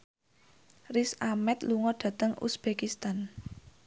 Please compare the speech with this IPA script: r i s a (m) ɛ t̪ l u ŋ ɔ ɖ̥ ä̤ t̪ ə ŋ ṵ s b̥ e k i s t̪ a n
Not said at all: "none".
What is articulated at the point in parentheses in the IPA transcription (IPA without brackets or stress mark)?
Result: m